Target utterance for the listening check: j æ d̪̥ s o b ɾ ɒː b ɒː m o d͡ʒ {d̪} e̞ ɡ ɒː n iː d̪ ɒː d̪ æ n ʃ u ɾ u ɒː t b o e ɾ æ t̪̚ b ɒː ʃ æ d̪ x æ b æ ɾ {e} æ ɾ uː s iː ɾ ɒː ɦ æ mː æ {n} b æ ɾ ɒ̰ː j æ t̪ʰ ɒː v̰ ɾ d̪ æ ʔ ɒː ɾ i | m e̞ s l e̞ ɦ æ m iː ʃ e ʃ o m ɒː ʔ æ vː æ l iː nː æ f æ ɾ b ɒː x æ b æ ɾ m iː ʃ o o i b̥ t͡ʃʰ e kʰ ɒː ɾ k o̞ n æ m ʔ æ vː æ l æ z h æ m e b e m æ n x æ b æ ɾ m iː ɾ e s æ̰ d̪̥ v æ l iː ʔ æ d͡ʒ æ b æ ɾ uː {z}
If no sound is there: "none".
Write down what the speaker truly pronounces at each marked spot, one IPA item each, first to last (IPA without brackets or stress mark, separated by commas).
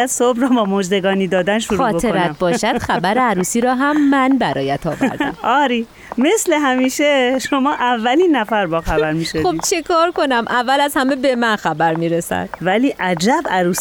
d̪, e, n, s